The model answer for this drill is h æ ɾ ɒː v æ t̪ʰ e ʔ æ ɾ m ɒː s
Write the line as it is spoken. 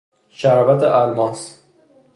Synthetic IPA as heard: ʃ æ ɾ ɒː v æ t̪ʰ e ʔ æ l m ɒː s